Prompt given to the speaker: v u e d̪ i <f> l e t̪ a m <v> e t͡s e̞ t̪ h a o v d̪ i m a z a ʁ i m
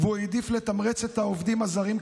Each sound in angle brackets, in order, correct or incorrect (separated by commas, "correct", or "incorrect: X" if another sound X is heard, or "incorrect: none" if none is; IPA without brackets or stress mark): correct, incorrect: ʁ